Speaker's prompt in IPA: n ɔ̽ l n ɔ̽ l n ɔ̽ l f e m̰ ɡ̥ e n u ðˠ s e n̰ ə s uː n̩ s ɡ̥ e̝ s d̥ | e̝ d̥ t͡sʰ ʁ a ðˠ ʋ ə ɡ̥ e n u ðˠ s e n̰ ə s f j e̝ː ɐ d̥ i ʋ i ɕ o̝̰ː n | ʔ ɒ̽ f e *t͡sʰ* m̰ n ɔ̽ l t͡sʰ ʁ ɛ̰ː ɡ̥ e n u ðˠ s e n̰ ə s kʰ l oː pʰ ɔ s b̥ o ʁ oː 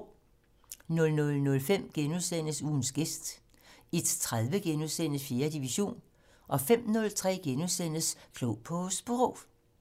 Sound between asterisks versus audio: incorrect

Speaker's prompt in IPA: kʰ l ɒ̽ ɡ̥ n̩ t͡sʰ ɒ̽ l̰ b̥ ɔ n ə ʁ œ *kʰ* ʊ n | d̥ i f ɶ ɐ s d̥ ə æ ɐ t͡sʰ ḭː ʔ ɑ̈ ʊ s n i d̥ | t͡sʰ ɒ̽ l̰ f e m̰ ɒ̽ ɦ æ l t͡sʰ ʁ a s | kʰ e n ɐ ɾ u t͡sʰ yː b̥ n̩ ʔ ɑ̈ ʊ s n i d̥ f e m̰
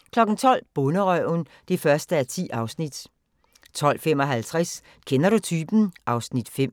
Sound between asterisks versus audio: incorrect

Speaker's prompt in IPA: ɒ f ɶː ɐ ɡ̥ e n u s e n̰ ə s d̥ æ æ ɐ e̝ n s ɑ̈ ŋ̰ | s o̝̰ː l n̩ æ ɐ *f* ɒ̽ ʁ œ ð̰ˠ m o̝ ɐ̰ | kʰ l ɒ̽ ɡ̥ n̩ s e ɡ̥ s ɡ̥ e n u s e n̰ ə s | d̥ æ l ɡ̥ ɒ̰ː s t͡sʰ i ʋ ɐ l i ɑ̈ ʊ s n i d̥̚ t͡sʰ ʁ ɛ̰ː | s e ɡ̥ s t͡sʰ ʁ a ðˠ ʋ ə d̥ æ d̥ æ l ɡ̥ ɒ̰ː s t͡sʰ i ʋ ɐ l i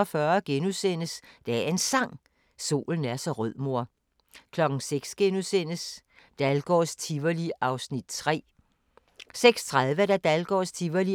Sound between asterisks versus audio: incorrect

